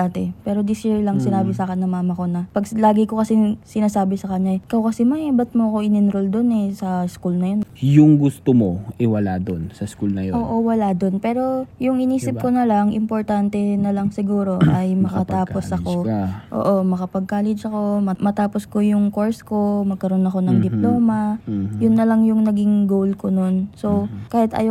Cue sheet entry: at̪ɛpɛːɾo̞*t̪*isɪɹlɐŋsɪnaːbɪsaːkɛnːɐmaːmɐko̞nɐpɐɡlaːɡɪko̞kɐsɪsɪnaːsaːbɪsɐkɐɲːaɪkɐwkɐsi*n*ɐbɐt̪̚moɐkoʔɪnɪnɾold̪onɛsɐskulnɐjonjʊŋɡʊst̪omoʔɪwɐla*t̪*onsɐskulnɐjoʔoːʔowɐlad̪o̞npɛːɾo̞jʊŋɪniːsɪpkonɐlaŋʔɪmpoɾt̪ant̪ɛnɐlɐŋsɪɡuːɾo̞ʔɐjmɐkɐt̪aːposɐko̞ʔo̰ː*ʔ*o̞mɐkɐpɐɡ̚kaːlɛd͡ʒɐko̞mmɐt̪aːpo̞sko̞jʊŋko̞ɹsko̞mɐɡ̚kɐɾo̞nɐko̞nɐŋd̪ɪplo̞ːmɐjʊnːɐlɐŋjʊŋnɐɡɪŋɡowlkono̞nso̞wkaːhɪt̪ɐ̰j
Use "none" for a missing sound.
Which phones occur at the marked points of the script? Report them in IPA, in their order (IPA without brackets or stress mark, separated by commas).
d̪, m, d̪, ʔ